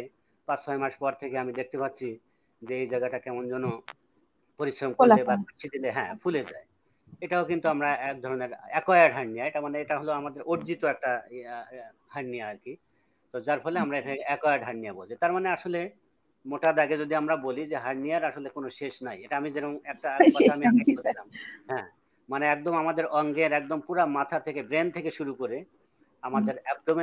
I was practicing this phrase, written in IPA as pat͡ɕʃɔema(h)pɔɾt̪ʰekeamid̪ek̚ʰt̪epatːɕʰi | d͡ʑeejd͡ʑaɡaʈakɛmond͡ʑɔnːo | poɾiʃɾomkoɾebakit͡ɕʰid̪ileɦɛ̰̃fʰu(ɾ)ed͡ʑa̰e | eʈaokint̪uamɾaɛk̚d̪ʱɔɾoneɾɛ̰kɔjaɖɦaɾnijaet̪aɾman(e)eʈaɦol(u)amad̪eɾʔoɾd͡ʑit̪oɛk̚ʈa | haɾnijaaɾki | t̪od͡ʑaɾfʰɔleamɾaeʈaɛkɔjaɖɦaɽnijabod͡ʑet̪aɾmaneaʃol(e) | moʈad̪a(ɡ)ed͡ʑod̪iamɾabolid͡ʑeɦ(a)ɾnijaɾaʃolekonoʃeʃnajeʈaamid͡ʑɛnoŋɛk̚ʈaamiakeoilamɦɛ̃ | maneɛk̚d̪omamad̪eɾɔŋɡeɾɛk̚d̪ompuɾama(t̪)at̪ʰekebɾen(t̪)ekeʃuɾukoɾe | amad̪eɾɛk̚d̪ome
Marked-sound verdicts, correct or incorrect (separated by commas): incorrect, incorrect, correct, incorrect, correct, correct, correct, incorrect, incorrect